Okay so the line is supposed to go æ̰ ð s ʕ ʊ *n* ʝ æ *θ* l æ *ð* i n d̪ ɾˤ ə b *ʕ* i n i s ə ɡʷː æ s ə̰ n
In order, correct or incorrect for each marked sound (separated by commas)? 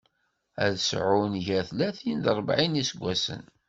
correct, correct, incorrect, correct